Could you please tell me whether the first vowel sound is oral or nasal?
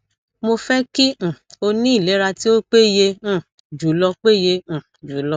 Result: oral